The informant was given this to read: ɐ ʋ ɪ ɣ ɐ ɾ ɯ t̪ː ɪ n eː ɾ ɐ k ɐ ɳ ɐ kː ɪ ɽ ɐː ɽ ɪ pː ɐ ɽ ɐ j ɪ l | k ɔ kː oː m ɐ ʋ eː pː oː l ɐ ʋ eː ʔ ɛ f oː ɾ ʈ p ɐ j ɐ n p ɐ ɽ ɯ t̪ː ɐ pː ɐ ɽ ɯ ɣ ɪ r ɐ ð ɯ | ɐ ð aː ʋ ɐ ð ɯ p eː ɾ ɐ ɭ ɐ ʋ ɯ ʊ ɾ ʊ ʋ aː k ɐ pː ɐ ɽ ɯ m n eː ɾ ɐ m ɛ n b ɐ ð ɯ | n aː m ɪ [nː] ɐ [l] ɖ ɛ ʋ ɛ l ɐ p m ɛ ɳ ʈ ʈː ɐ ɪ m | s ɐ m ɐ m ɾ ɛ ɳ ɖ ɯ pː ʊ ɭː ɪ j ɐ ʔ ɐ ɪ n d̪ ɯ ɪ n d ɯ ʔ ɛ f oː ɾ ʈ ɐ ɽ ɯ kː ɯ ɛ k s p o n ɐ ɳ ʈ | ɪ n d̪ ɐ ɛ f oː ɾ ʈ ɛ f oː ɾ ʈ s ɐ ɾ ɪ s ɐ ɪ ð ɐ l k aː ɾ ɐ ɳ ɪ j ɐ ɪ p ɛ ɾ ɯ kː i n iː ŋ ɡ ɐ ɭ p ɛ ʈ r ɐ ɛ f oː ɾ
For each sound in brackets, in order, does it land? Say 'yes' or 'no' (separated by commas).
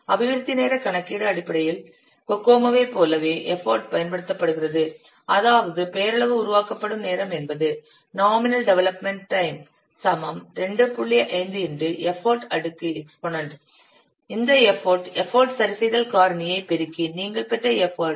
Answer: no, yes